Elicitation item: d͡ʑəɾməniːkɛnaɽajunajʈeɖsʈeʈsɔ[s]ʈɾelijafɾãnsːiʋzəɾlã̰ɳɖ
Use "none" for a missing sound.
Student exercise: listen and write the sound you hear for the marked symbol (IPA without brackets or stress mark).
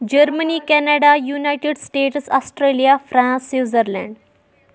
s